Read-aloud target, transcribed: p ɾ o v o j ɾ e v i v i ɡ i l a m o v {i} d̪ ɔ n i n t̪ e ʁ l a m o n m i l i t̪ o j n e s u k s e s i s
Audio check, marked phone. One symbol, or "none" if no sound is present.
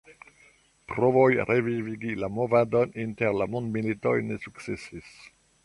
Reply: a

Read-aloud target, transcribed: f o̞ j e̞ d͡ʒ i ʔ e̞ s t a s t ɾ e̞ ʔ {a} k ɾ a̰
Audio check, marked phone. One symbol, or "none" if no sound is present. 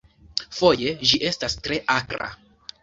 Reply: a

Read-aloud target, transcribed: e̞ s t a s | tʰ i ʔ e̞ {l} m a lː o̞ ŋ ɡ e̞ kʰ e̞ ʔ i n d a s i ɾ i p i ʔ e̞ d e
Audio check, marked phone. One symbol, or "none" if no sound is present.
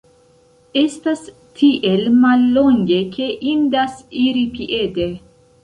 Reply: l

